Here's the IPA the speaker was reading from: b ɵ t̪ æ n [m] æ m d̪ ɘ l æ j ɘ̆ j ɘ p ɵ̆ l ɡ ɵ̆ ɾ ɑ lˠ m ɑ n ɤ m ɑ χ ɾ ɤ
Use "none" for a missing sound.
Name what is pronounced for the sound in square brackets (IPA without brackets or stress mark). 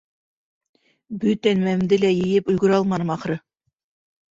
m